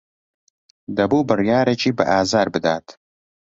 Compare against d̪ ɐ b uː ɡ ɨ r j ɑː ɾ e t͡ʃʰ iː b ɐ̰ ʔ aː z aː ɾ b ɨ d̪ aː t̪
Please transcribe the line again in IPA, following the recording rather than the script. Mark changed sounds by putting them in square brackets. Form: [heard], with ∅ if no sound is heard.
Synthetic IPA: d̪ ɐ b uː [b] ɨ r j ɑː ɾ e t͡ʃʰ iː b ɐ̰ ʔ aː z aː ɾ b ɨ d̪ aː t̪